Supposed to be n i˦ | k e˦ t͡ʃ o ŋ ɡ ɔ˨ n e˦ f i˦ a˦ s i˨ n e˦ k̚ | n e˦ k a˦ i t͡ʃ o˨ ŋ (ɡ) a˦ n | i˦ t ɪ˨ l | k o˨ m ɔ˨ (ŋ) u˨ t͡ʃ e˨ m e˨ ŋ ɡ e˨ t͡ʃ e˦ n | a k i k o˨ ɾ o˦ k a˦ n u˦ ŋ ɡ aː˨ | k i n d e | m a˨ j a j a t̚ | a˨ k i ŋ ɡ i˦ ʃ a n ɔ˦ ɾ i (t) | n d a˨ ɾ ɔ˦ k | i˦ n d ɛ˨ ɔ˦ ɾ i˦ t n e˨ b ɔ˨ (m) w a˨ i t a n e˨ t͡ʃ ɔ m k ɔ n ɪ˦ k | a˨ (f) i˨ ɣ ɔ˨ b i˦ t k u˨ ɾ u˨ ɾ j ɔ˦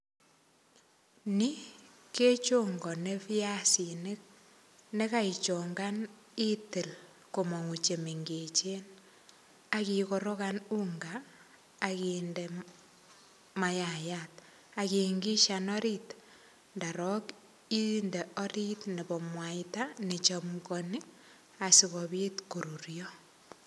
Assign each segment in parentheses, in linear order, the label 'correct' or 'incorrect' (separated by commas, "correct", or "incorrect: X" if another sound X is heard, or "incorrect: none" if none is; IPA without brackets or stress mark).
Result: correct, correct, correct, correct, incorrect: s